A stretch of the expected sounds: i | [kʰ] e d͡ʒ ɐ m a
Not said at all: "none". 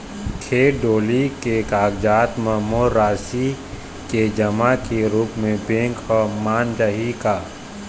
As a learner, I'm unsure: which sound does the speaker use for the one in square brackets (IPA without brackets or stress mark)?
k